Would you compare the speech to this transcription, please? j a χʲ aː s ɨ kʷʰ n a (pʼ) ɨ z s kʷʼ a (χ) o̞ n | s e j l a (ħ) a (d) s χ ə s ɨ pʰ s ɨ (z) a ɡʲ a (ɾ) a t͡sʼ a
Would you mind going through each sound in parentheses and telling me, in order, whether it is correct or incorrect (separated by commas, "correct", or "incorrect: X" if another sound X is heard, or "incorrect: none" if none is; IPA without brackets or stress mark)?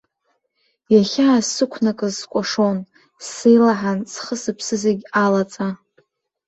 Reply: incorrect: kʼ, incorrect: ʂ, correct, incorrect: n, correct, incorrect: l